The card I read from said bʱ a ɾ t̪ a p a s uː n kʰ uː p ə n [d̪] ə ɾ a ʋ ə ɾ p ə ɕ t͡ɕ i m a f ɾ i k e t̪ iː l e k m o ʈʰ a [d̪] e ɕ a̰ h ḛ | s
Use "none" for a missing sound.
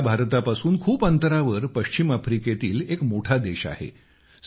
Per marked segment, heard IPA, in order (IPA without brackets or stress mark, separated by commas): t̪, d̪